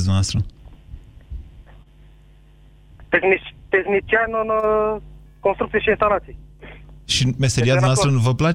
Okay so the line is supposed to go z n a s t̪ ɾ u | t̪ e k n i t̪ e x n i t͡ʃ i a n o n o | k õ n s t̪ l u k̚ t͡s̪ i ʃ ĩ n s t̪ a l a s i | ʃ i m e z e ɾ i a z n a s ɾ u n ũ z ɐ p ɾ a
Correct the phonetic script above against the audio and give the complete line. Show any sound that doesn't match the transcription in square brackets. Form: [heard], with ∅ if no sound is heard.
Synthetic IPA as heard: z n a s t̪ ɾ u | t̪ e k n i t̪ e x n i t͡ʃ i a n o n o | k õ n s t̪ [ɾ] u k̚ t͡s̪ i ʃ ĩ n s t̪ a l a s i | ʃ i m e [s] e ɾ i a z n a s ɾ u n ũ [v] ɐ p [l] a